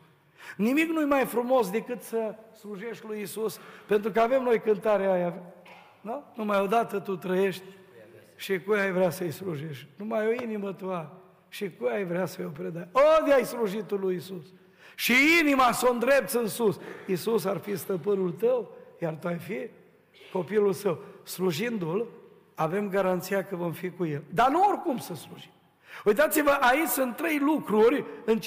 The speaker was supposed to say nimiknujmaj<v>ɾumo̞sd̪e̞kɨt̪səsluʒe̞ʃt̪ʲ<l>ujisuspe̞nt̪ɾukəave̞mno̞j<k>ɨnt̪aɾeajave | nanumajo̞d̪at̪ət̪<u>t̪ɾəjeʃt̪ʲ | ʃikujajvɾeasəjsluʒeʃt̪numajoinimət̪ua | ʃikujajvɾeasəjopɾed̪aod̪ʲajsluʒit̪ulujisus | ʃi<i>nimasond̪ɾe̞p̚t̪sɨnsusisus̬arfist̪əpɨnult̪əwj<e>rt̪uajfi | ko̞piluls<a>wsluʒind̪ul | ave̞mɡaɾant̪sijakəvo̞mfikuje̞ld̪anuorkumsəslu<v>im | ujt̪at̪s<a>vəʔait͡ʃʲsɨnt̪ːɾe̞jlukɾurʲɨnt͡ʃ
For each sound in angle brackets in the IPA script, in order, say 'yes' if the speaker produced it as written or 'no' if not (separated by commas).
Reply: no, yes, yes, yes, yes, no, no, no, no